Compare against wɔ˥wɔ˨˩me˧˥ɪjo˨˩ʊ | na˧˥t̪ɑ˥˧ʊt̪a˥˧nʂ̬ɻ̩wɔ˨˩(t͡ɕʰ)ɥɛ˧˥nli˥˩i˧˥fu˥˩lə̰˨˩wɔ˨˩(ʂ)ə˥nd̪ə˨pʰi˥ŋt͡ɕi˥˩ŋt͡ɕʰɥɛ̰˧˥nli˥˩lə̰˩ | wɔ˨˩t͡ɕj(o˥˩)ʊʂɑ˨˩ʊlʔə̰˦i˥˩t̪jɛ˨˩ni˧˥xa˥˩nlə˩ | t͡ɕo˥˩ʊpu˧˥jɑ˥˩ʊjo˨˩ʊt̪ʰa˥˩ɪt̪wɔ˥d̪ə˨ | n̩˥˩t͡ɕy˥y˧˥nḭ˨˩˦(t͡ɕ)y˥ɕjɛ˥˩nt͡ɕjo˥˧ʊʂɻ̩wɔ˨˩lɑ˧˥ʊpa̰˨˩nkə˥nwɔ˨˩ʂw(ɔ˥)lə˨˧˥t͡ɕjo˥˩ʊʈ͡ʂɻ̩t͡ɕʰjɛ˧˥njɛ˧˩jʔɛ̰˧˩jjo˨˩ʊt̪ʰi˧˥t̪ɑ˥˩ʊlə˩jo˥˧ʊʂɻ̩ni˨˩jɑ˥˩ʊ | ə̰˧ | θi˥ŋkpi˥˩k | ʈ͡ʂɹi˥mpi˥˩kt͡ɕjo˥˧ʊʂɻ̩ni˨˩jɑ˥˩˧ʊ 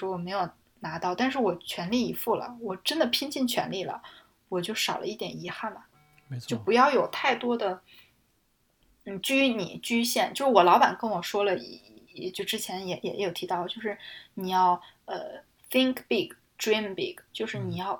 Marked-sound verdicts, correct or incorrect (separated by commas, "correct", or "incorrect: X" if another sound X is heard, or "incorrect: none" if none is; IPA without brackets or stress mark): correct, incorrect: ʈ͡ʂ, correct, correct, correct